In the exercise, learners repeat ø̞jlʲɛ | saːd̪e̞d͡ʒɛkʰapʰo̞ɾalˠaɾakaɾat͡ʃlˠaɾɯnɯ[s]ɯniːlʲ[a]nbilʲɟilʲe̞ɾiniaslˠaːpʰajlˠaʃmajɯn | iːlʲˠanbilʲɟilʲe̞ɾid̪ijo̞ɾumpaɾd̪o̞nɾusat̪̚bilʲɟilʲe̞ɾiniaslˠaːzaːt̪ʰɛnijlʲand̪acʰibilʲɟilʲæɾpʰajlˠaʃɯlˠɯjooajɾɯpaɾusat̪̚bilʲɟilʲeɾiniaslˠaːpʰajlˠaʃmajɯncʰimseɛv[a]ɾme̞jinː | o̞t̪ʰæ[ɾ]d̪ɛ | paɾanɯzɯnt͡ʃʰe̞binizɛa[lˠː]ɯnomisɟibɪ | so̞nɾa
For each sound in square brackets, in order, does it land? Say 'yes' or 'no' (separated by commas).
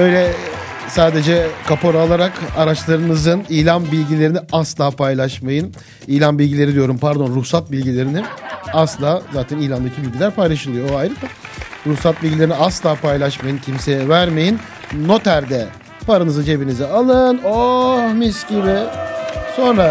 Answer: no, yes, no, yes, no